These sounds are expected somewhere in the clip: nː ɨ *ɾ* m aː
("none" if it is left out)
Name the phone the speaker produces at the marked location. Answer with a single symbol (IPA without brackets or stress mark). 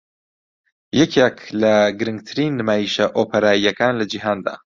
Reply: none